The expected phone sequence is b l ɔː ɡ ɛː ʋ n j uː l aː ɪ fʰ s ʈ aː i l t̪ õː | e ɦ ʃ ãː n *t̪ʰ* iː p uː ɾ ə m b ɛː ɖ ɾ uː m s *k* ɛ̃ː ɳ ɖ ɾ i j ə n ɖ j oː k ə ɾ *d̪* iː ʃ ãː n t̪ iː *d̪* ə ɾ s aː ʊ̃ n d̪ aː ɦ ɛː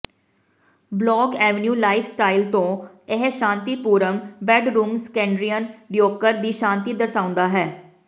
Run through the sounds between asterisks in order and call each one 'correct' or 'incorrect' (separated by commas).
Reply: incorrect, correct, correct, correct